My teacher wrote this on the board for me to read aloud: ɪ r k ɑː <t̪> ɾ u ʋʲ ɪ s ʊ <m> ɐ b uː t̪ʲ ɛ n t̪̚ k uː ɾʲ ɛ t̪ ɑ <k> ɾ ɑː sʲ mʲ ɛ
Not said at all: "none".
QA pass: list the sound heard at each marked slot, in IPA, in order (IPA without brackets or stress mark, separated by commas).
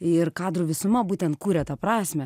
d̪, m, p